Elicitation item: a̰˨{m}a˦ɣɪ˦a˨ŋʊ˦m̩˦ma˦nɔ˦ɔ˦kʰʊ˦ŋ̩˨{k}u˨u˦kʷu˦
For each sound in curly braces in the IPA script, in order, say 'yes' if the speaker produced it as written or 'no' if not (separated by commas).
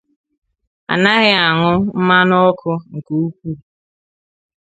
no, yes